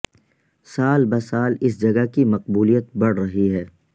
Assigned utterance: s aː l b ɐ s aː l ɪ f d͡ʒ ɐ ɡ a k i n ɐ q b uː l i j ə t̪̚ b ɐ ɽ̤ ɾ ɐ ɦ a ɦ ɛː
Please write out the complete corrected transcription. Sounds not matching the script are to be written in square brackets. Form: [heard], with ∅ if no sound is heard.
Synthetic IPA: s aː l b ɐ s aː l ɪ [s] d͡ʒ ɐ ɡ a k i [m] ɐ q b uː l i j ə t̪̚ b ɐ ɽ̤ ɾ ɐ ɦ [i] ɦ ɛː